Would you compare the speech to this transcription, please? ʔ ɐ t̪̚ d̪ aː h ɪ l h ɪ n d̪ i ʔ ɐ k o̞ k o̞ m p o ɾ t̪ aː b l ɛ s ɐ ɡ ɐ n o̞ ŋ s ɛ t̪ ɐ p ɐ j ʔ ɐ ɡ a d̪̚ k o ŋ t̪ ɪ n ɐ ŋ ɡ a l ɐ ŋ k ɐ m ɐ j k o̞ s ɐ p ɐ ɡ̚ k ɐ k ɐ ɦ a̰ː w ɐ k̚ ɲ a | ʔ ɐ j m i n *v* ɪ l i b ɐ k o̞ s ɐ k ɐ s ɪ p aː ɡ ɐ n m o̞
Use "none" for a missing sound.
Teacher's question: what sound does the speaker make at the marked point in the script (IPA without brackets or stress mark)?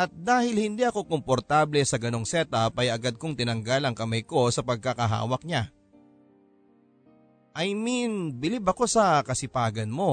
b